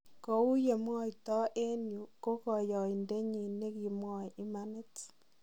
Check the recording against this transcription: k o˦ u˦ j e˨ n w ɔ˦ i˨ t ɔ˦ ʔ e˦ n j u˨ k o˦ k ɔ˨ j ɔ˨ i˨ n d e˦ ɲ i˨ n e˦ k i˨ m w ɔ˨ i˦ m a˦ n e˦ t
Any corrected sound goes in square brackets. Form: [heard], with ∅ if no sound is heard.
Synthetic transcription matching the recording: k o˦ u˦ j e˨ [m] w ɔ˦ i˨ t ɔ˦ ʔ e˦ n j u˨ k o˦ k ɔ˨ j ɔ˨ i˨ n d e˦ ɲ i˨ n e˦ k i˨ m w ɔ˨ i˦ m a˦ n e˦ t